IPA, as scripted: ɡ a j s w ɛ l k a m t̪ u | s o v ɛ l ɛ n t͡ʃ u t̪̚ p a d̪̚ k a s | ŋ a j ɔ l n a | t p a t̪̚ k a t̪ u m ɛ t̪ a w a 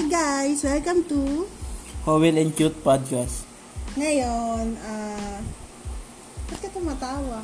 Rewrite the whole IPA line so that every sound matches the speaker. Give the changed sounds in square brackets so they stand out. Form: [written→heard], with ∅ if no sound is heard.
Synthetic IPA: ɡ a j s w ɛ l k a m t̪ u | [s→h] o [v→w] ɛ l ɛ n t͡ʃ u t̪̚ p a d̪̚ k a s | ŋ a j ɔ [l→∅] n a | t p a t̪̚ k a t̪ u m [ɛ→a] t̪ a w a